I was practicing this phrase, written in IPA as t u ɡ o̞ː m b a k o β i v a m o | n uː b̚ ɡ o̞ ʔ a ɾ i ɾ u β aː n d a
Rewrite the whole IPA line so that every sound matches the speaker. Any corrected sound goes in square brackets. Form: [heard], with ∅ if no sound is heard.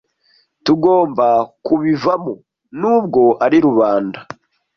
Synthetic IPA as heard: t u ɡ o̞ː m b a k [u] β i v a m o | n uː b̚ ɡ o̞ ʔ a ɾ i ɾ u β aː n d a

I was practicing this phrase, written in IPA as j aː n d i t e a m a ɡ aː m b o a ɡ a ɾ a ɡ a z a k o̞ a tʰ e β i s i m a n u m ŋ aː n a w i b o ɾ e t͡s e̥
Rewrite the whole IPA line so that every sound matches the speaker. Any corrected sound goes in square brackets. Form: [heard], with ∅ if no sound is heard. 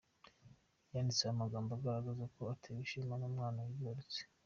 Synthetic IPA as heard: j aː n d i [t͡s] e a m a ɡ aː m b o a ɡ a ɾ a ɡ a z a k o̞ a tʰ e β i [ʃ] i m a n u m ŋ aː n a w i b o ɾ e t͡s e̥

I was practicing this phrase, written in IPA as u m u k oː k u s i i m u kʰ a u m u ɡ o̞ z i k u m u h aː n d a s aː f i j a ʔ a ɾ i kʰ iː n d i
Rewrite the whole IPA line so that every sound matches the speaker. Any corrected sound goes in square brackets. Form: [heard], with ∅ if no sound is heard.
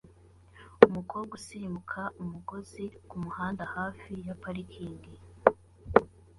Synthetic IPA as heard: u m u k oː [ɡ] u s i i m u kʰ a u m u ɡ o̞ z i k u m u h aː n d a [h] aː f i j a [p] a ɾ i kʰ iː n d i

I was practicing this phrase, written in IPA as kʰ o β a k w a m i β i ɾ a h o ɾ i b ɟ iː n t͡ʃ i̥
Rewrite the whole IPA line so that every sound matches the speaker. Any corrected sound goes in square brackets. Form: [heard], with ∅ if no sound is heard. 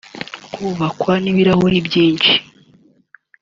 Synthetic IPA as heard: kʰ [u] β a k w a [n] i β i ɾ a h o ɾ i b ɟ iː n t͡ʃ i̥

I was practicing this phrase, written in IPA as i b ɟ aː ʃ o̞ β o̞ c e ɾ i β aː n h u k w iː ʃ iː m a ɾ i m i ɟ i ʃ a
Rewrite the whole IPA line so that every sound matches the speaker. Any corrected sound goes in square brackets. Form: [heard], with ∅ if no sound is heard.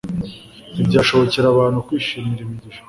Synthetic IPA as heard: i b ɟ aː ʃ o̞ β o̞ c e ɾ [a] β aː n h u k w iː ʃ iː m [i] ɾ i m i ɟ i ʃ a

